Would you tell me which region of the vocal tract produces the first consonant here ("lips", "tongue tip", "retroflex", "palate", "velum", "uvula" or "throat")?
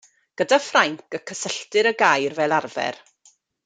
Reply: velum